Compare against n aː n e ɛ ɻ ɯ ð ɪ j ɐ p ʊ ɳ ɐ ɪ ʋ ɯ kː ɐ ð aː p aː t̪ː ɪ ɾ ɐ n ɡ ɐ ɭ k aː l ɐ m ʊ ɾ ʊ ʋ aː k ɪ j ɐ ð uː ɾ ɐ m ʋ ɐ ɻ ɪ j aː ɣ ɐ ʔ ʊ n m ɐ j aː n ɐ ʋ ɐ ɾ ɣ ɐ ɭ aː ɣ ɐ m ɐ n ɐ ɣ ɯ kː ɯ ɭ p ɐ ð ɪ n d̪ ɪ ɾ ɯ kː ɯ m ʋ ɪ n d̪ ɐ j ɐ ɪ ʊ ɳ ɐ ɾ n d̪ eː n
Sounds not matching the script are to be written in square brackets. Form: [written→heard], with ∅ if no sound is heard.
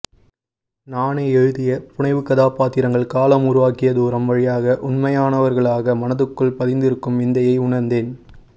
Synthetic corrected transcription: n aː n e ɛ ɻ ɯ ð ɪ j ɐ p ʊ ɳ ɐ ɪ ʋ ɯ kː ɐ ð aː p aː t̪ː ɪ ɾ ɐ [n→ŋ] ɡ ɐ ɭ k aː l ɐ m ʊ ɾ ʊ ʋ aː k ɪ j ɐ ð uː ɾ ɐ m ʋ ɐ ɻ ɪ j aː ɣ ɐ ʔ ʊ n m ɐ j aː n ɐ ʋ ɐ ɾ ɣ ɐ ɭ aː ɣ ɐ m ɐ n ɐ [ɣ→ð] ɯ kː ɯ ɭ p ɐ ð ɪ n d̪ ɪ ɾ ɯ kː ɯ m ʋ ɪ n d̪ ɐ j ɐ ɪ ʊ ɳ ɐ ɾ n d̪ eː n